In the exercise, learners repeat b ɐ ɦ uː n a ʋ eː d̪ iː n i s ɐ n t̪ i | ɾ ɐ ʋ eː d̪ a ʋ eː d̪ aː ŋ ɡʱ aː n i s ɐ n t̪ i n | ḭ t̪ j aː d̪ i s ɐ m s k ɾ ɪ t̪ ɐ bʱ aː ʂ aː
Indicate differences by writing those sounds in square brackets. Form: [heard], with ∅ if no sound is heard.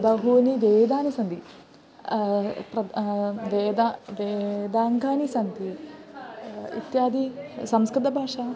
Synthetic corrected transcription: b ɐ ɦ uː n [i] ʋ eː d̪ [aː] n i s ɐ n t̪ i | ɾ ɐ ʋ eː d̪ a ʋ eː d̪ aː ŋ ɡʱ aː n i s ɐ n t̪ i [∅] | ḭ t̪ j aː d̪ i s ɐ m s k ɾ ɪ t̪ ɐ bʱ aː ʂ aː